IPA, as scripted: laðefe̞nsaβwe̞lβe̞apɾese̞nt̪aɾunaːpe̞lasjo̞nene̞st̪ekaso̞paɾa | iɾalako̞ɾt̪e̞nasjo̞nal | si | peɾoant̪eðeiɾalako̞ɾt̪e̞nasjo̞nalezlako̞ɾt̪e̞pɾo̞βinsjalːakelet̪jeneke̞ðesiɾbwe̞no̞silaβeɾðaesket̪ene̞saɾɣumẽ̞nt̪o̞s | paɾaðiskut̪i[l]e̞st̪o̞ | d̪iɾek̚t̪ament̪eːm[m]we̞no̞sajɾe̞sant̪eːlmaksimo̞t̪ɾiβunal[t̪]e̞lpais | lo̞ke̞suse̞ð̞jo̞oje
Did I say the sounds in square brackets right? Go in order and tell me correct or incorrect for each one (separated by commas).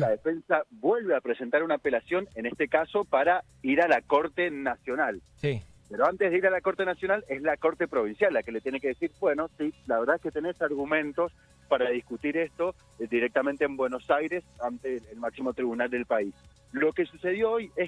incorrect, incorrect, incorrect